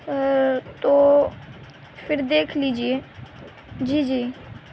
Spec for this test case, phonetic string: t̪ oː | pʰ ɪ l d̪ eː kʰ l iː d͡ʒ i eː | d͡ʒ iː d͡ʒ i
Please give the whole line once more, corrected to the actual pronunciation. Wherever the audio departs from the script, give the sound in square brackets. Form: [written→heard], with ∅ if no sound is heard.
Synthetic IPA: t̪ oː | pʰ ɪ [l→ɾ] d̪ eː kʰ l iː d͡ʒ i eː | d͡ʒ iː d͡ʒ [i→iː]